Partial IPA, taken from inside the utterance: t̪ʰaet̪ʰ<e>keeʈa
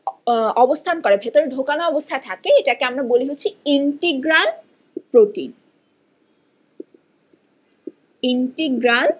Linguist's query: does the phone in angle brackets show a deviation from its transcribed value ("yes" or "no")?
yes